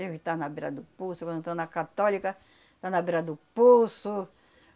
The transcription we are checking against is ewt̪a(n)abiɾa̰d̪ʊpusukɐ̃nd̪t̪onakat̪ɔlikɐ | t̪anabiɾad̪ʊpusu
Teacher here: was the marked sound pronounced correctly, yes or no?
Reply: yes